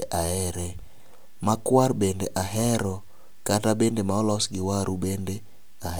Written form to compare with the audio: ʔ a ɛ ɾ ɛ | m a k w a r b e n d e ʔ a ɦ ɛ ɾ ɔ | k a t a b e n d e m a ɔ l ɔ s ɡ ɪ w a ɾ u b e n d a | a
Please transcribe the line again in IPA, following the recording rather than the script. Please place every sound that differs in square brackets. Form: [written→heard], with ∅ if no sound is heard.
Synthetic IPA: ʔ a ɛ ɾ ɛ | m a k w a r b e n d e ʔ a ɦ ɛ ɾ ɔ | k a t a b e n d e m a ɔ l ɔ s ɡ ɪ w a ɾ u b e n d [a→e] | a